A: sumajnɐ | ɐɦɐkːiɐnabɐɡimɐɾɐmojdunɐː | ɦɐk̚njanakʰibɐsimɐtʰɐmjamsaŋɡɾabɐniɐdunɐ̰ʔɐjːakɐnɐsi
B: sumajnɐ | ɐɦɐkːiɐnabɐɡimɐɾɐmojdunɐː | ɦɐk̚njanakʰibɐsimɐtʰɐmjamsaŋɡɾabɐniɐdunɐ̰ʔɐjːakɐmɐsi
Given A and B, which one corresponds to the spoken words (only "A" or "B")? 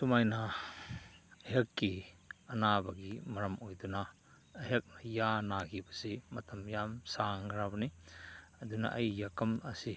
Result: B